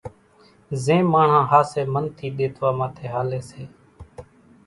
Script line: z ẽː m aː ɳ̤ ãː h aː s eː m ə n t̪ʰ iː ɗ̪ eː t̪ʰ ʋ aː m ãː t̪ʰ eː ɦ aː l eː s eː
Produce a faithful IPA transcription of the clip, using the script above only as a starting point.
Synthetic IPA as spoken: z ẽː m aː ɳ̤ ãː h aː s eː m ə n t̪ʰ iː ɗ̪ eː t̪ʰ ʋ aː m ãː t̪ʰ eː ɦ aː l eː s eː